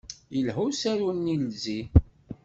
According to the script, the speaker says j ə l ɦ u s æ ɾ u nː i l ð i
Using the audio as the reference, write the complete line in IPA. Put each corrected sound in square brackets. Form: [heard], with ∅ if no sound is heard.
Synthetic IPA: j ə l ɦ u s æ ɾ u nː i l [z] i